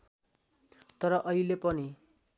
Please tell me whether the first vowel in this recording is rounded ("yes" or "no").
no